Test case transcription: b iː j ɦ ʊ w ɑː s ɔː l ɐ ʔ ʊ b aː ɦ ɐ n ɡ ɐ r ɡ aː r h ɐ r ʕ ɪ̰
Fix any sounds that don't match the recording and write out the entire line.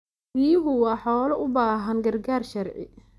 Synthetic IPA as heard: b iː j ɦ ʊ w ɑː ħ ɔː l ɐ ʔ ʊ b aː ɦ ɐ n ɡ ɐ r ɡ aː r ʃ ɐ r ʕ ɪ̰